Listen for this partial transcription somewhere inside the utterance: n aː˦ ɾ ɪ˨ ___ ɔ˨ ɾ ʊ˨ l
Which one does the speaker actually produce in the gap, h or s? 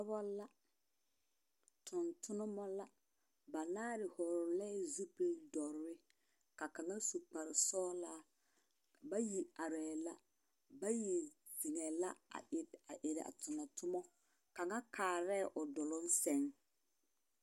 h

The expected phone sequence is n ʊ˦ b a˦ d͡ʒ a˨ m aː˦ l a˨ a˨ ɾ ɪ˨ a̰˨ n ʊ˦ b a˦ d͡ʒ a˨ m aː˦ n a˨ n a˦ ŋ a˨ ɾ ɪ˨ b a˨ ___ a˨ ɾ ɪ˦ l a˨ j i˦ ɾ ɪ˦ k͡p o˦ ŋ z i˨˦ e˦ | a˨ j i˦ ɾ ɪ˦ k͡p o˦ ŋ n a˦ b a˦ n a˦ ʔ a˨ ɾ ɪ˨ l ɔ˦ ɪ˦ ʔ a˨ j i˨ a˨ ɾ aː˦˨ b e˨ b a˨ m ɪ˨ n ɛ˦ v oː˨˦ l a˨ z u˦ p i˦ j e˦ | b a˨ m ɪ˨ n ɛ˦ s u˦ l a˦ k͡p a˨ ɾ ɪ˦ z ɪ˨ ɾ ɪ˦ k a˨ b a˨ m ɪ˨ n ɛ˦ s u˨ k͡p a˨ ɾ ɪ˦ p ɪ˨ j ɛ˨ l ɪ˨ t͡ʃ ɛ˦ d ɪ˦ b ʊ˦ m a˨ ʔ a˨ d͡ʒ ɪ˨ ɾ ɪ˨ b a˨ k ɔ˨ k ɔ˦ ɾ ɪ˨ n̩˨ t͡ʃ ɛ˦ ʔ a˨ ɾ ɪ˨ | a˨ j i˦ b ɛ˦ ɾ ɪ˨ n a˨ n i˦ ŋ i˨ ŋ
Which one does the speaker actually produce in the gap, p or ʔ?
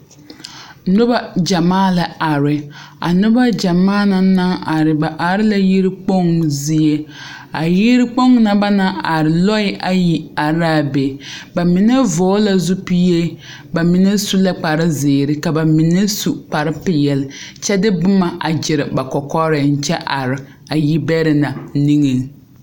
ʔ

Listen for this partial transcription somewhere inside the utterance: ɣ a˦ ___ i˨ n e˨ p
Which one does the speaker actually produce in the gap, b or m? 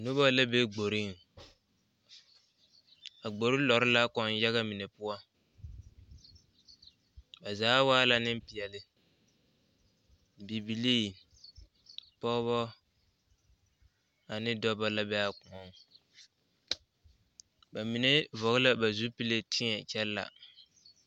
m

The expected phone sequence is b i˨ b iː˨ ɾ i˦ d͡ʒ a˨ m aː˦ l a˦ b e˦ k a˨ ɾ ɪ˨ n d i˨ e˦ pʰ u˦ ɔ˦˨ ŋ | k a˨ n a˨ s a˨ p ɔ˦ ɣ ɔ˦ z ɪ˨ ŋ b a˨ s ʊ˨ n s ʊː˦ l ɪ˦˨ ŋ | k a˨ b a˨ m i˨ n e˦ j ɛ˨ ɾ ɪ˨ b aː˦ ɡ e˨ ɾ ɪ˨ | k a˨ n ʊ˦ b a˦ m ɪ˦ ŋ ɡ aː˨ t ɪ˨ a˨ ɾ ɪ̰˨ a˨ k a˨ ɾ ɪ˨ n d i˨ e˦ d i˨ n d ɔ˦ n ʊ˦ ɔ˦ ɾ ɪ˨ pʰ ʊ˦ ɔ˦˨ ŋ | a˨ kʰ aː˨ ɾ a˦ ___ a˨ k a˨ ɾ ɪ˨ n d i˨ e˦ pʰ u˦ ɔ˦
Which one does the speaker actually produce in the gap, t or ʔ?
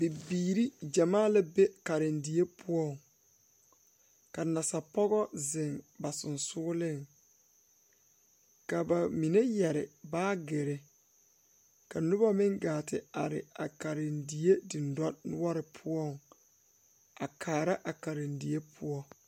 ʔ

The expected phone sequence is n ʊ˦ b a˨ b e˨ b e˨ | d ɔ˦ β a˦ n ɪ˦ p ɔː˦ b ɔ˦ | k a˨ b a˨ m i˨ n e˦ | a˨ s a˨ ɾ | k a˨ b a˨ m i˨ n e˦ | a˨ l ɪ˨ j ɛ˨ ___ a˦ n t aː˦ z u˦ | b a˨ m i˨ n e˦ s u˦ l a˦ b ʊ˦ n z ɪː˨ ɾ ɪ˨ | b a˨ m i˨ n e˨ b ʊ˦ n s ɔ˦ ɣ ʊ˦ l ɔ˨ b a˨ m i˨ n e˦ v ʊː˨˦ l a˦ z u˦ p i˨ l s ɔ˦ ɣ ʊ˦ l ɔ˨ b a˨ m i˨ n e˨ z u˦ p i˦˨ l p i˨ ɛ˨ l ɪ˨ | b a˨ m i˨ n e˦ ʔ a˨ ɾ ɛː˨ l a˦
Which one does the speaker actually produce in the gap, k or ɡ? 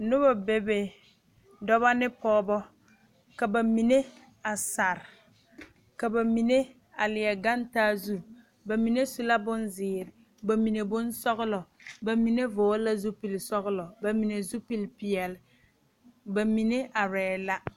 ɡ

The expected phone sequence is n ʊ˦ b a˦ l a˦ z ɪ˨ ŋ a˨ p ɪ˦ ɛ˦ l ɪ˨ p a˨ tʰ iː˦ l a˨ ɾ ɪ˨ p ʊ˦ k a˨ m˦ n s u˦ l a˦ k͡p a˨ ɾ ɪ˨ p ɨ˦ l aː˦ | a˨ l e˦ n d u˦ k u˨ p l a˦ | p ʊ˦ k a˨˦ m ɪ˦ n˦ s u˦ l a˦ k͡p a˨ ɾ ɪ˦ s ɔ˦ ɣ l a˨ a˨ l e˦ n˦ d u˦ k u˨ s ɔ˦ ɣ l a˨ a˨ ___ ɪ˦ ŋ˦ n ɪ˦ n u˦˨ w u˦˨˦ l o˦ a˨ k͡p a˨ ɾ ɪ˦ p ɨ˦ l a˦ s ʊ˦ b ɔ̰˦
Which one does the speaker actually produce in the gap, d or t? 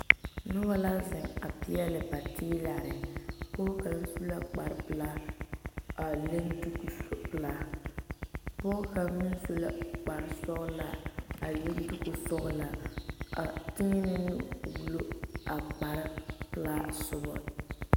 t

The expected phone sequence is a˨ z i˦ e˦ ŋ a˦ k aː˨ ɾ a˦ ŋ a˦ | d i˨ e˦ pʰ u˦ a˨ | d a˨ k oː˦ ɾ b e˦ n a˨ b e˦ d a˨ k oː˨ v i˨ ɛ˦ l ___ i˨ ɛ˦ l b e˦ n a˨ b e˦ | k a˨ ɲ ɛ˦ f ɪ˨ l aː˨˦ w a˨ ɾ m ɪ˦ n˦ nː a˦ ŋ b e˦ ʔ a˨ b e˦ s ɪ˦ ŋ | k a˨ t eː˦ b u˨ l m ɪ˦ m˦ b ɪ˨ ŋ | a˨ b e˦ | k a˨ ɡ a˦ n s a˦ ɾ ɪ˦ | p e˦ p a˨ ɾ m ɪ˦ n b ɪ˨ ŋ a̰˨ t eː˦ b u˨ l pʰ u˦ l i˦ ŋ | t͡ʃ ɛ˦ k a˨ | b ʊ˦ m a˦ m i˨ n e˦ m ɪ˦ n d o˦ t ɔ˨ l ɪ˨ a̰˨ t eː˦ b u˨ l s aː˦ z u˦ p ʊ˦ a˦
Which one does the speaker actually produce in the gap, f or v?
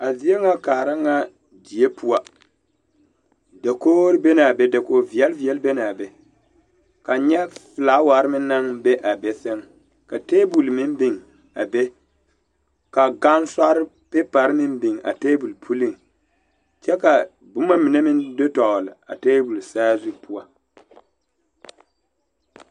v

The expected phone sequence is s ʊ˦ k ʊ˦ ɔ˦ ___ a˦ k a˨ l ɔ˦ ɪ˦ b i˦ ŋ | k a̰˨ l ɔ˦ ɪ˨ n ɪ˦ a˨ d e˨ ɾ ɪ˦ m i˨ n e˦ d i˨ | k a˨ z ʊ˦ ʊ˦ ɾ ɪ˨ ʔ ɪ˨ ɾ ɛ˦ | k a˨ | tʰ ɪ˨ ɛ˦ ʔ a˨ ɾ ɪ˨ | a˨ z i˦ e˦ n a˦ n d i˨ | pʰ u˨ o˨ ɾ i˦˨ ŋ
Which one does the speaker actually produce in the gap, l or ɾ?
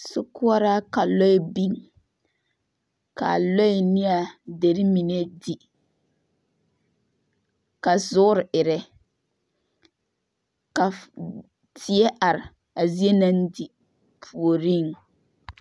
ɾ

